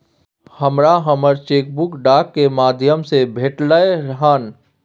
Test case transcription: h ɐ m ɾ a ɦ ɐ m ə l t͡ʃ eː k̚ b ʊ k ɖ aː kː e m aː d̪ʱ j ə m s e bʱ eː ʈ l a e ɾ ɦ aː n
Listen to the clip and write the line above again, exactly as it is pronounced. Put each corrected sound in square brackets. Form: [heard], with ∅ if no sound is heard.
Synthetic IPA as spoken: h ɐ m ɾ a ɦ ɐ m ə [ɾ] t͡ʃ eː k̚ b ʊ k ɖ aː kː e m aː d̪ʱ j ə m s e bʱ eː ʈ l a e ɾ ɦ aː n